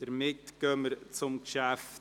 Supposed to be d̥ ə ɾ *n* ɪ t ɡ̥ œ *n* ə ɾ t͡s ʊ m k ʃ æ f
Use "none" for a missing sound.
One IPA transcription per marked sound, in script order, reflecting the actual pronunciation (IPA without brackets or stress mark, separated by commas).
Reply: m, m